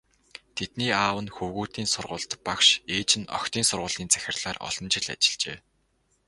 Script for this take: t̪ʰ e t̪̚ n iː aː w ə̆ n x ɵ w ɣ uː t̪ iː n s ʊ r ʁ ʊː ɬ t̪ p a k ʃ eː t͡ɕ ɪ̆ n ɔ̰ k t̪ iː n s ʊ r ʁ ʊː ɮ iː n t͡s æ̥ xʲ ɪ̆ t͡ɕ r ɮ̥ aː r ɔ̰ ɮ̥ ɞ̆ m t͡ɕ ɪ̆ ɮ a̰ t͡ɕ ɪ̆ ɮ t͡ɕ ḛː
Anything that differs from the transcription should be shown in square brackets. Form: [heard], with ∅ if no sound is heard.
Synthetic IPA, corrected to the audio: t̪ʰ e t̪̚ n iː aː w ə̆ n x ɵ w ɣ uː t̪ iː n s ʊ r ʁ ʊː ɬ t̪ p a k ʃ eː t͡ɕ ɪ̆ n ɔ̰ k t̪ iː n s ʊ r ʁ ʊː ɮ iː n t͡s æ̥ xʲ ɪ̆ [∅] r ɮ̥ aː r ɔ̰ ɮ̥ ɞ̆ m t͡ɕ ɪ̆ ɮ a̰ t͡ɕ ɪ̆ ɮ t͡ɕ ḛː

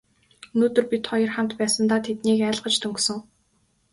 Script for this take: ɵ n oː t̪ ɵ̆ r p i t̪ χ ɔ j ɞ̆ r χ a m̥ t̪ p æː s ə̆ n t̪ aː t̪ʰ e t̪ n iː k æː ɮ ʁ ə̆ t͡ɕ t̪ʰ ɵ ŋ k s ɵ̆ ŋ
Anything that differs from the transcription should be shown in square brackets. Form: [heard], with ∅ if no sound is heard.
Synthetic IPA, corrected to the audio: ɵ n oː t̪ ɵ̆ r p i t̪ χ ɔ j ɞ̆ r χ a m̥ t̪ p æː s ə̆ n t̪ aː t̪ʰ e t̪ n iː k æː ɮ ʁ ə̆ t͡ɕ t̪ʰ ɵ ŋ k s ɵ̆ ŋ

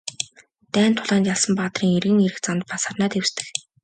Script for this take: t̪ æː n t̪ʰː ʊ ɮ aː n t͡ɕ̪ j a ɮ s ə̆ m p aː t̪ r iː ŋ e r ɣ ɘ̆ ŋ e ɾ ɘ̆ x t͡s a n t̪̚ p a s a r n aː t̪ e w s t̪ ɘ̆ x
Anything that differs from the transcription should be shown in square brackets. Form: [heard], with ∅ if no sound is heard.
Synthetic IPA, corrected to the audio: t̪ æː n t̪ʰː ʊ ɮ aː n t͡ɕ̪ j a ɮ s ə̆ m p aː t̪ r iː ŋ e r ɣ ɘ̆ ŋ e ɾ ɘ̆ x t͡s a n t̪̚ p a s a r n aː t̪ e w s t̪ ɘ̆ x

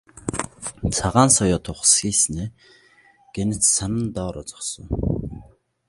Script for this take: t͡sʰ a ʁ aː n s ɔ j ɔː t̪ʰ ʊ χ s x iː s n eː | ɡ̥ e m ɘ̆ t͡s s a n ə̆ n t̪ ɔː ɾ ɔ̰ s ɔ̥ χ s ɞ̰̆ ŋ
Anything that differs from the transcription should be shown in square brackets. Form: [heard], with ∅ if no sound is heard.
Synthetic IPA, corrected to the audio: t͡sʰ a ʁ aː n s ɔ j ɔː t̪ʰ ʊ χ s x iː s n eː | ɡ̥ e [n] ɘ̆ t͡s s a n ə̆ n t̪ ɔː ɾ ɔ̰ [t͡s] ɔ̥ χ s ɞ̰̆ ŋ

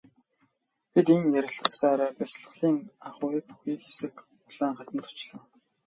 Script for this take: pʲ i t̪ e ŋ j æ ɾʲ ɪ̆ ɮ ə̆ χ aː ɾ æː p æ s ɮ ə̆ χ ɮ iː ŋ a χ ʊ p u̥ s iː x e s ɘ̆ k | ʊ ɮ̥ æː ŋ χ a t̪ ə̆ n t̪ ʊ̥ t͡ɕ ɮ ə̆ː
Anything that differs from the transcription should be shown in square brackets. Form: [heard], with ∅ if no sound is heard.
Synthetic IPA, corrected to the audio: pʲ i t̪ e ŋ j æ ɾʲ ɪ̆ ɮ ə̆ [s] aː ɾ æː p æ s ɮ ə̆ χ ɮ iː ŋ a χ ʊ p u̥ [x] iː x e s ɘ̆ k | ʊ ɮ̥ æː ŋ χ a t̪ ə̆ n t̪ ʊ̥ t͡ɕ ɮ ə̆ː

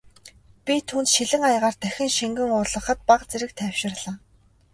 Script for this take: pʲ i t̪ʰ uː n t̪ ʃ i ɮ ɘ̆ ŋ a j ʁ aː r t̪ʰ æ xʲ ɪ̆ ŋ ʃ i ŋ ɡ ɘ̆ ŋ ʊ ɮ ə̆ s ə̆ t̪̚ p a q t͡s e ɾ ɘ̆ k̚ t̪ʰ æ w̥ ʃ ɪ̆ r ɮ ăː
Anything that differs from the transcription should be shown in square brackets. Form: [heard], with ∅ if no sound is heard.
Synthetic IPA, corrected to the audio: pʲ i t̪ʰ uː n t̪ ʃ i ɮ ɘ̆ ŋ a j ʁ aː r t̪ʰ æ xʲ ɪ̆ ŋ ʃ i ŋ ɡ ɘ̆ ŋ ʊ ɮ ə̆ [χ] ə̆ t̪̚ p a q t͡s e ɾ ɘ̆ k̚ t̪ʰ æ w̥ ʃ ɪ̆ r ɮ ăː

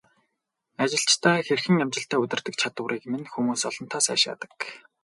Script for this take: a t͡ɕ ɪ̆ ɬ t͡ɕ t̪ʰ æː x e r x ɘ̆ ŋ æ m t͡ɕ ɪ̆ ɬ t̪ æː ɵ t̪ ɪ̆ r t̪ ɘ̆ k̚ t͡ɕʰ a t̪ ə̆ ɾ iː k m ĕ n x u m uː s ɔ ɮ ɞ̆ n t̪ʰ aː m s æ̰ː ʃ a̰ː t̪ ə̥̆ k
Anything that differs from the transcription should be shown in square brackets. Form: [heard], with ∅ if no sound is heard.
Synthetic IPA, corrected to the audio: a t͡ɕ ɪ̆ ɬ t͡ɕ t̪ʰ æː x e r x ɘ̆ ŋ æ m t͡ɕ ɪ̆ ɬ t̪ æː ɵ t̪ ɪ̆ r t̪ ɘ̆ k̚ t͡ɕʰ a t̪ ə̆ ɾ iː k m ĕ n x u m uː s ɔ ɮ ɞ̆ n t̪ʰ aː [∅] s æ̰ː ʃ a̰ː t̪ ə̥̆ k

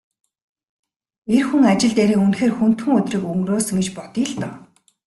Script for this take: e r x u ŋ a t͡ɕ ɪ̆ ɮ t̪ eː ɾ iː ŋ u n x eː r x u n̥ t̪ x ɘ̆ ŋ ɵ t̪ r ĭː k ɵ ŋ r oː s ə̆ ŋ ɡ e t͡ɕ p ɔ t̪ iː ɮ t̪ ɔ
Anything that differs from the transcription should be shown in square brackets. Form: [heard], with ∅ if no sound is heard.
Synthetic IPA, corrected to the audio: e r x u ŋ a t͡ɕ ɪ̆ ɮ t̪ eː ɾ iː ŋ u n x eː r x u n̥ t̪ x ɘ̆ ŋ ɵ t̪ r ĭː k ɵ ŋ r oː s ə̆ ŋ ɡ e t͡ɕ p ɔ t̪ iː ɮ t̪ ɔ

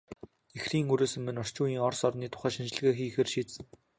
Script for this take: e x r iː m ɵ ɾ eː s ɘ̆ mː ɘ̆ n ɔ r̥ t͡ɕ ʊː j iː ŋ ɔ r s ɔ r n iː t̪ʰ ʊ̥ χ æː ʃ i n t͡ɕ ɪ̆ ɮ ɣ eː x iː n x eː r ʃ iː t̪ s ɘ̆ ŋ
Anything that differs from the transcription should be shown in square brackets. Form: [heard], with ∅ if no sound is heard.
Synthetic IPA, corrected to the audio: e x r iː [ŋ] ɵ ɾ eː s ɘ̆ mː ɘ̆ n ɔ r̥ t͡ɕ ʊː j iː ŋ ɔ r s ɔ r n iː t̪ʰ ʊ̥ χ æː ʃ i n t͡ɕ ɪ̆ ɮ ɣ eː x iː [∅] x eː r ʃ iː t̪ s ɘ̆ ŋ

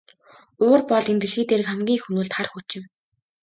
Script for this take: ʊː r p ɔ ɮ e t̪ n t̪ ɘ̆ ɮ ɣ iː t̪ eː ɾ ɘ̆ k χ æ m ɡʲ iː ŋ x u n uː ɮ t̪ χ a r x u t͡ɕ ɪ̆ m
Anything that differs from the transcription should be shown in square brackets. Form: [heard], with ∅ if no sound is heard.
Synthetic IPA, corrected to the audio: ʊː r p ɔ ɮ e [∅] n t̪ ɘ̆ ɮ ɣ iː t̪ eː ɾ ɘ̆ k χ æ m ɡʲ iː ŋ x u n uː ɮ t̪ χ a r x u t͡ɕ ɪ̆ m

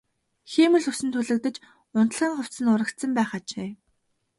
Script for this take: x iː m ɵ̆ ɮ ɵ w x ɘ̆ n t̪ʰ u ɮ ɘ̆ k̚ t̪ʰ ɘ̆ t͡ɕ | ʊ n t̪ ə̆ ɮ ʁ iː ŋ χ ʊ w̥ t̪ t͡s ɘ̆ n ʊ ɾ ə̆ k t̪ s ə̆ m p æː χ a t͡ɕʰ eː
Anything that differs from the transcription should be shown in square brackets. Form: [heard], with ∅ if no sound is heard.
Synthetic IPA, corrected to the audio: x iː m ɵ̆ ɮ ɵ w [s] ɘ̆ n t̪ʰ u ɮ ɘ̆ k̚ [t̪] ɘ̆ t͡ɕ | ʊ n t̪ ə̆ ɮ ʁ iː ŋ χ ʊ w̥ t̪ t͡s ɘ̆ n ʊ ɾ ə̆ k t̪ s ə̆ m p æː χ a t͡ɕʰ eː

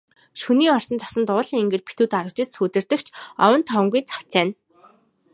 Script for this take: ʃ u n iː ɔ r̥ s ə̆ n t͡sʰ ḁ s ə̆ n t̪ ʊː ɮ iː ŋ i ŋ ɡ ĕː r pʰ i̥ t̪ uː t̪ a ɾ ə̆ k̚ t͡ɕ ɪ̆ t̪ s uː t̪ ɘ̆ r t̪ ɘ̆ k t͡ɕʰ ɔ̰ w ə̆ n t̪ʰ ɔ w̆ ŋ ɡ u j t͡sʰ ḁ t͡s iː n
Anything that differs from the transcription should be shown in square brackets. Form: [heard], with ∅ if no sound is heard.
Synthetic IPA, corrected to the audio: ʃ u n iː ɔ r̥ s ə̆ n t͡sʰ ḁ s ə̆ n t̪ ʊː ɮ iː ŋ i ŋ ɡ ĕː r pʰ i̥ t̪ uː t̪ a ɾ ə̆ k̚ t͡ɕ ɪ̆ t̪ s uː t̪ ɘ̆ r t̪ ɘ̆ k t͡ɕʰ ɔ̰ w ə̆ n t̪ʰ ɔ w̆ ŋ ɡ u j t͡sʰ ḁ t͡s [æː] n

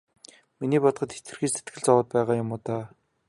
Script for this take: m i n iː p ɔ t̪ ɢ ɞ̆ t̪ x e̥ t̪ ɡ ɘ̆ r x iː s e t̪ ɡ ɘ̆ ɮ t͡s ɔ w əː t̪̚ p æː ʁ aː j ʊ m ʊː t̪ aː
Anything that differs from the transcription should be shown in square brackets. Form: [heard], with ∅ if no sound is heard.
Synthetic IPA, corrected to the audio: m i n iː p ɔ t̪ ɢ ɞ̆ t̪ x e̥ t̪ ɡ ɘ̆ r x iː s e t̪ ɡ ɘ̆ ɮ t͡s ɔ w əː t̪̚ p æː ʁ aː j ʊ m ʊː t̪ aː

